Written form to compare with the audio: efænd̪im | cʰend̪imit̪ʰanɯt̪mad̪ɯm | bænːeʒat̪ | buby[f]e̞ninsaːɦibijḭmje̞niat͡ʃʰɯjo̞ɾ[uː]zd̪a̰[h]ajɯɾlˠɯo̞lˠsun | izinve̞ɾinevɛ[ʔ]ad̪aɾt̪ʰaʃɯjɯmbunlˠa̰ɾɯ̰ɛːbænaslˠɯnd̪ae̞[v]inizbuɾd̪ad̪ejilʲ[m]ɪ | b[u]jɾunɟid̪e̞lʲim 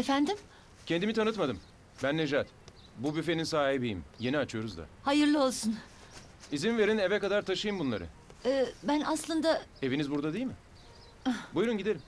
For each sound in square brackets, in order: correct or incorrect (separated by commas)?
correct, incorrect, correct, incorrect, correct, correct, correct